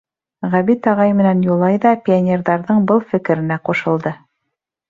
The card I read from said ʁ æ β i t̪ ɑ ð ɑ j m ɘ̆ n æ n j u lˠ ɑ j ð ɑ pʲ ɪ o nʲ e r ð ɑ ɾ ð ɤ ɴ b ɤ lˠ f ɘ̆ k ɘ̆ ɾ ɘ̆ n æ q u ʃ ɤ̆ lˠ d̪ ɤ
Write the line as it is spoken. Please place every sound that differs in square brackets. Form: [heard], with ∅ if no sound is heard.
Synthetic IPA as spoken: ʁ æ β i t̪ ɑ [ʁ] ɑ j m ɘ̆ n æ n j u lˠ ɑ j ð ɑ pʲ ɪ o nʲ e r ð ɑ ɾ ð ɤ ɴ b ɤ lˠ f ɘ̆ k ɘ̆ ɾ ɘ̆ n æ q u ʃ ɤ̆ lˠ d̪ ɤ